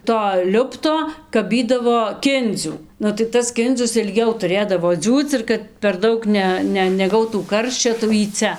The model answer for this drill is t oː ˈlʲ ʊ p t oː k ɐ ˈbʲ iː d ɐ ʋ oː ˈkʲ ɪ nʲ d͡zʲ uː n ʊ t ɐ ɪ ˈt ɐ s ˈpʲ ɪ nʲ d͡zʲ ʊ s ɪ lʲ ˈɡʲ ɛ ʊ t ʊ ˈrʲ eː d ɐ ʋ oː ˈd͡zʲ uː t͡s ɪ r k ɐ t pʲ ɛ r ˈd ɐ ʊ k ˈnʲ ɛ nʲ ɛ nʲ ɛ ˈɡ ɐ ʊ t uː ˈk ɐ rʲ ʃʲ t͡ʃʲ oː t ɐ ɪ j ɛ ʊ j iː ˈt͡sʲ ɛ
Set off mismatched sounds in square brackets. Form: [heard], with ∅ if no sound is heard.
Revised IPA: t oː ˈlʲ ʊ p t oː k ɐ ˈbʲ iː d ɐ ʋ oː ˈkʲ ɪ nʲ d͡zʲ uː n ʊ t ɐ ɪ ˈt ɐ s [ˈkʲ] ɪ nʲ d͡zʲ ʊ s ɪ lʲ ˈɡʲ ɛ ʊ t ʊ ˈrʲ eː d ɐ ʋ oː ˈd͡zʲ uː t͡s ɪ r k ɐ t pʲ ɛ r ˈd ɐ ʊ k ˈnʲ ɛ nʲ ɛ nʲ ɛ ˈɡ ɐ ʊ t uː ˈk ɐ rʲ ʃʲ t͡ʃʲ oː t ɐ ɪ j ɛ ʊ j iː ˈt͡sʲ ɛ